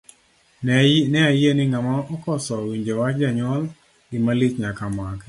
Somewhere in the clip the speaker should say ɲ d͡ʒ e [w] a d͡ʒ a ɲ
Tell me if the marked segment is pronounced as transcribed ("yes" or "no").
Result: yes